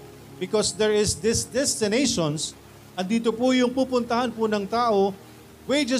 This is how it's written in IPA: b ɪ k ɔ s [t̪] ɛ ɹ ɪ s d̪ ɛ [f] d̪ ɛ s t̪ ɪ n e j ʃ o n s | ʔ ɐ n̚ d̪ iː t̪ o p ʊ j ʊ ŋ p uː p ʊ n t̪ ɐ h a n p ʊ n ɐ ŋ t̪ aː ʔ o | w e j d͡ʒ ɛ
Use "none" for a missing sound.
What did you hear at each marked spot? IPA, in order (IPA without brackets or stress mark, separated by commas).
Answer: d̪, s